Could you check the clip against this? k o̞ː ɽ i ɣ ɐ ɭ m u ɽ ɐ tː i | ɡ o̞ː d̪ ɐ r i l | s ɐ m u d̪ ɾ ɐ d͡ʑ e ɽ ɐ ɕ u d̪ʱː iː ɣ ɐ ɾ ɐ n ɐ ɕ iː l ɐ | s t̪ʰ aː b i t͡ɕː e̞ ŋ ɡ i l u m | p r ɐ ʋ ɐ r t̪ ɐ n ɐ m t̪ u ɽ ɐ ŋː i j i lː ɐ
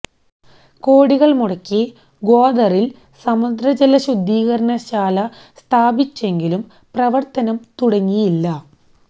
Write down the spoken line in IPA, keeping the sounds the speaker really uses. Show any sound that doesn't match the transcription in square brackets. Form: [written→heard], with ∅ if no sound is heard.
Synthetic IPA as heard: k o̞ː ɽ i ɣ ɐ ɭ m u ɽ ɐ [tː→kː] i | ɡ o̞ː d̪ ɐ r i l | s ɐ m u d̪ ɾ ɐ d͡ʑ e [ɽ→l] ɐ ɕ u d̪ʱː iː ɣ ɐ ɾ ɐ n ɐ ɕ [iː→aː] l ɐ | s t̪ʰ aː b i t͡ɕː e̞ ŋ ɡ i l u m | p r ɐ ʋ ɐ r t̪ ɐ n ɐ m t̪ u ɽ ɐ ŋː i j i lː ɐ